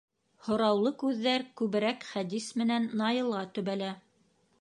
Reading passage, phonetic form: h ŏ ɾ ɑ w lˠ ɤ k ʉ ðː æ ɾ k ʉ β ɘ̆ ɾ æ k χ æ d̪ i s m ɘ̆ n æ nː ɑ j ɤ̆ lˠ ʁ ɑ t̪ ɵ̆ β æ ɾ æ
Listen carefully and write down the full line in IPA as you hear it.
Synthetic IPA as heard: h ŏ ɾ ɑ w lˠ ɤ k ʉ ðː æ ɾ k ʉ β ɘ̆ ɾ æ k χ æ d̪ i s m ɘ̆ n æ nː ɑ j ɤ̆ lˠ ʁ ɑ t̪ ɵ̆ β æ l æ